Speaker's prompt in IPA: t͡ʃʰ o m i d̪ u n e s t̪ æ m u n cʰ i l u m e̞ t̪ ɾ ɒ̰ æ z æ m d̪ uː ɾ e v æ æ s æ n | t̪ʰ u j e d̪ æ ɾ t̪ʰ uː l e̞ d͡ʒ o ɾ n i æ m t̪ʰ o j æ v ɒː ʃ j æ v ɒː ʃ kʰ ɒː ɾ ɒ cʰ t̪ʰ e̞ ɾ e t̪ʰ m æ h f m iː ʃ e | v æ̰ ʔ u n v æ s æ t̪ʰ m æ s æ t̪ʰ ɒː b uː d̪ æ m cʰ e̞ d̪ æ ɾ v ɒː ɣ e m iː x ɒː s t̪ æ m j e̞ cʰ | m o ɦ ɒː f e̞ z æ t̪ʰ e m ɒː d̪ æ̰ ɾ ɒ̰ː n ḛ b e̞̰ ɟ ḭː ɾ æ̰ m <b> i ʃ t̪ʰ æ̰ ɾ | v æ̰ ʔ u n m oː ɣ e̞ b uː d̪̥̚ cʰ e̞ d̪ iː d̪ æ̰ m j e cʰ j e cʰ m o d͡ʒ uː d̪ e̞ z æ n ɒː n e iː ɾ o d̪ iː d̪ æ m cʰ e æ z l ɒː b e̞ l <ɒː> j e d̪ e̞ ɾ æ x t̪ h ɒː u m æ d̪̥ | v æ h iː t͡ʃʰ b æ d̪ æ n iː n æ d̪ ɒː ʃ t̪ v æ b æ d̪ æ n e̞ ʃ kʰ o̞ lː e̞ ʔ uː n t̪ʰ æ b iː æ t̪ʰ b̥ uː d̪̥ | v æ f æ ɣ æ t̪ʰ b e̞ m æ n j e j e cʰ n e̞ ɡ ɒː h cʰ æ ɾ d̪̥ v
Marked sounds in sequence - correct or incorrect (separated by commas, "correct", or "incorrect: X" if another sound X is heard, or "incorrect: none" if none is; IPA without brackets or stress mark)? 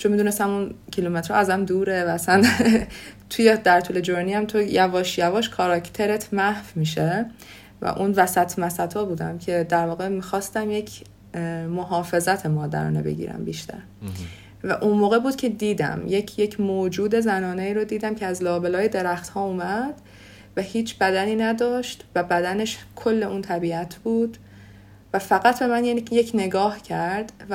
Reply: correct, correct